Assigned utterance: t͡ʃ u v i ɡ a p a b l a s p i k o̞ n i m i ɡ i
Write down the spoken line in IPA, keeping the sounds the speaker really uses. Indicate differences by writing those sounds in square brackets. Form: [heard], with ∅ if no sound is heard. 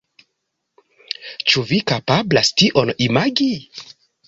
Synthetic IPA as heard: t͡ʃ u v i [k] a p a b l a s [t] i [ʔ] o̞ n i m [a] ɡ i